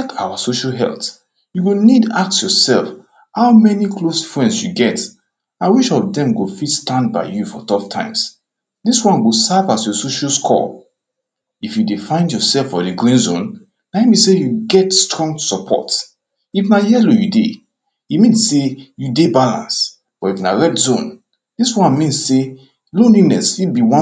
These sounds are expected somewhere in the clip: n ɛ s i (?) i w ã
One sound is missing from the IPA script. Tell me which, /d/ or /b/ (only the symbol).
b